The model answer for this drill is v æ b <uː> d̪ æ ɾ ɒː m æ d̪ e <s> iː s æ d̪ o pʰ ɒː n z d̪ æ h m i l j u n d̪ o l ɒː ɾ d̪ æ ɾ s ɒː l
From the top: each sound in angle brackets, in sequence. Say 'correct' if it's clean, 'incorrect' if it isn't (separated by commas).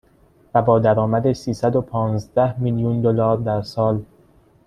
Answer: incorrect, correct